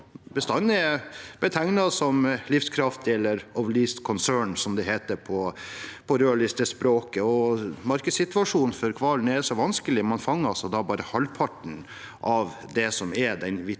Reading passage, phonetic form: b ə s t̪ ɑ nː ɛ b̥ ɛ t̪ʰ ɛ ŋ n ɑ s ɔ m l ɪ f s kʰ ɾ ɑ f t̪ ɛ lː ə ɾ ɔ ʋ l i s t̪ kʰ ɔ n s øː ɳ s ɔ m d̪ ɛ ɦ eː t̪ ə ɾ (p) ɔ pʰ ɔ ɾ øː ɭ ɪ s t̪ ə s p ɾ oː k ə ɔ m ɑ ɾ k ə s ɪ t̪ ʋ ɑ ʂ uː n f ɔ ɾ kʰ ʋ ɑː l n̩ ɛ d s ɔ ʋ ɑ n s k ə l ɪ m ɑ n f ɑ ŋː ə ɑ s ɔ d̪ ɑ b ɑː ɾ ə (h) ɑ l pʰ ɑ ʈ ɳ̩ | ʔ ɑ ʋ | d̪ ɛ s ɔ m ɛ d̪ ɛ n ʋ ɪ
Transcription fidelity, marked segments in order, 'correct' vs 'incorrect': incorrect: pʰ, correct

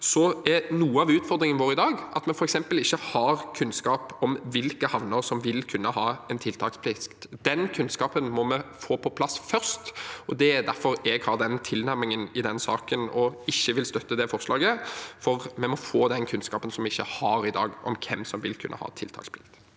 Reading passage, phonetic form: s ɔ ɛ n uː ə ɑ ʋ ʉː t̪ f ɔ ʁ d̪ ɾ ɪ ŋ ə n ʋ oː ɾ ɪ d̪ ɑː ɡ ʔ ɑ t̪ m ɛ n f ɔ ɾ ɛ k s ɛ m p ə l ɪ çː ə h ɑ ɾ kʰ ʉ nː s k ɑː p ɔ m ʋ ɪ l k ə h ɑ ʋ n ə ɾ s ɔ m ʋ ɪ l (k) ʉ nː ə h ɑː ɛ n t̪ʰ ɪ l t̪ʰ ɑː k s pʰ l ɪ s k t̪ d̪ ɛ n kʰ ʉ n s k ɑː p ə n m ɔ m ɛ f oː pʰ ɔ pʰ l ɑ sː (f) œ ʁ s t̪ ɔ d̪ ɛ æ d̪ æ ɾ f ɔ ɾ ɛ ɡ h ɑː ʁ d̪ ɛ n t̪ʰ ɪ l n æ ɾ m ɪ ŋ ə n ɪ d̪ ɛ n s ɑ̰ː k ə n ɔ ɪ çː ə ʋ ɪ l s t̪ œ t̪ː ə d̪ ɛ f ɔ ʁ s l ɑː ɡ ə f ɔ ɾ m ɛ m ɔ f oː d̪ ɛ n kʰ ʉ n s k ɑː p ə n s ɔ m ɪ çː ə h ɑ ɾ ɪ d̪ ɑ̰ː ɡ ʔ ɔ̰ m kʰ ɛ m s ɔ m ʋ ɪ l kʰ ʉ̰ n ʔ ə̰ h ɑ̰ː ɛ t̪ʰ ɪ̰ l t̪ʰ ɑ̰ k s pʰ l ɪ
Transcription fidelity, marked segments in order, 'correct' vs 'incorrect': incorrect: kʰ, correct

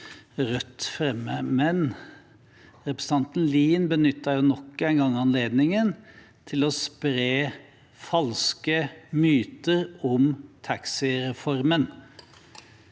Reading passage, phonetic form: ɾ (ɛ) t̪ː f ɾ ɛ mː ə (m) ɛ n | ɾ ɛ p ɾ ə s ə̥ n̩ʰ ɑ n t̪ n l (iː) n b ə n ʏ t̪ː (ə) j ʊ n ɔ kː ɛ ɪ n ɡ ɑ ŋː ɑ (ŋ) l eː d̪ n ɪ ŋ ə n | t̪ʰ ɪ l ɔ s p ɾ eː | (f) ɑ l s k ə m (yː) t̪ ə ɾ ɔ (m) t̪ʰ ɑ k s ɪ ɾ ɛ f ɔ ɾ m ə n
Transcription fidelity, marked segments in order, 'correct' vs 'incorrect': incorrect: œ, correct, correct, incorrect: ɑ, incorrect: n, correct, correct, correct

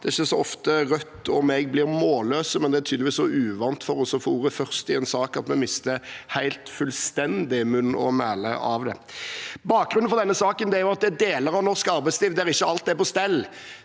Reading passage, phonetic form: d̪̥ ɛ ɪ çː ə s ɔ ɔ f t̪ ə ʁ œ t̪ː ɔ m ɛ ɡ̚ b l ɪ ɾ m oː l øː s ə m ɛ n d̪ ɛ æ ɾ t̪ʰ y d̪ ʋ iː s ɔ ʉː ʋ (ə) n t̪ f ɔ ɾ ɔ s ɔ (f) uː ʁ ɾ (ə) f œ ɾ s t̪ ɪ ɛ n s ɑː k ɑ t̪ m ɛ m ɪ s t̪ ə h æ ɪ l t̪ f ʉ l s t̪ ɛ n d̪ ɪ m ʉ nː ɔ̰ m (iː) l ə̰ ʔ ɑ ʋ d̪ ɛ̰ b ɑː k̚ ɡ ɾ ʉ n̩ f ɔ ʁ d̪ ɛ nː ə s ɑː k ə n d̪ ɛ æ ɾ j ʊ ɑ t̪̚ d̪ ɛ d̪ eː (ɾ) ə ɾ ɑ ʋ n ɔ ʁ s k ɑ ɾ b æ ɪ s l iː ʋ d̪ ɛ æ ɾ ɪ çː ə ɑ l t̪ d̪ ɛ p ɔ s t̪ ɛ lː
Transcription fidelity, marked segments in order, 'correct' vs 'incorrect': incorrect: ɑ, correct, correct, incorrect: æː, incorrect: l

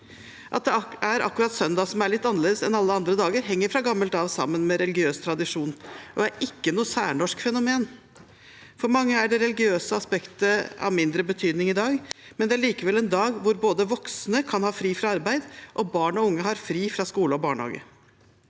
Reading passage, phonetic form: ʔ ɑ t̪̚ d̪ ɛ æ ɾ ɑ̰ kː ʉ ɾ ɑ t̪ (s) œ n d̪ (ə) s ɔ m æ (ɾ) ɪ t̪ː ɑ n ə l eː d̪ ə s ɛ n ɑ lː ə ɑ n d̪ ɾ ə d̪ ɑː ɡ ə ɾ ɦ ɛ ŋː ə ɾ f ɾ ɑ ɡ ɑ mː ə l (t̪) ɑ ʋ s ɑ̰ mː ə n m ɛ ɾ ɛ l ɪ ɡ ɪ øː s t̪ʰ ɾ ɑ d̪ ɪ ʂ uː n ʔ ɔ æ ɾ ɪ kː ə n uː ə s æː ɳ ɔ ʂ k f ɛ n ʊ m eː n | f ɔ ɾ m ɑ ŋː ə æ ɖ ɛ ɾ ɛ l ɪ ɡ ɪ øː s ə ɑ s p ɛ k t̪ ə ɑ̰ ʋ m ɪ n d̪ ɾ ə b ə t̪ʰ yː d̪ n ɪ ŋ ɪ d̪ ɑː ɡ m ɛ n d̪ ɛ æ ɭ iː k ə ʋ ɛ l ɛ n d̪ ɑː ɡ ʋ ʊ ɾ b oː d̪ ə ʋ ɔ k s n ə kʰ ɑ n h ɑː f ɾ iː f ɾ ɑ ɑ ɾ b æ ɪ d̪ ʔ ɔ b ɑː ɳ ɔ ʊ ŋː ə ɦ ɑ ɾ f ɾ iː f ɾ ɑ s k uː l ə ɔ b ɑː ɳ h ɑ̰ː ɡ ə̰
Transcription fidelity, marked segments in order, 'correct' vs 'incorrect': correct, incorrect: ɑ, incorrect: ɭ, correct

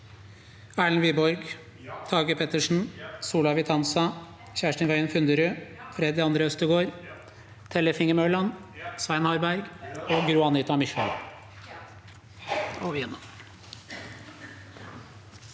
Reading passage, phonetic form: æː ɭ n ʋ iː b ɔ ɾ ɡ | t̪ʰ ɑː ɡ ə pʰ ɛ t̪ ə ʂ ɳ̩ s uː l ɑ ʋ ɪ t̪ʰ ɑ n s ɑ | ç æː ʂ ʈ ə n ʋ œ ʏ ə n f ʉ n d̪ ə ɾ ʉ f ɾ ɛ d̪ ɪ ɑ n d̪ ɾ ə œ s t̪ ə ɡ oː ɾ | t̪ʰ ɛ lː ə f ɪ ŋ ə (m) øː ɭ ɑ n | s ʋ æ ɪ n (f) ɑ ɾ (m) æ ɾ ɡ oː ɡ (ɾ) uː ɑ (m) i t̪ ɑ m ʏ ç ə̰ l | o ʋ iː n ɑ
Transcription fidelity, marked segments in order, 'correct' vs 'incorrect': correct, incorrect: h, incorrect: b, correct, incorrect: n

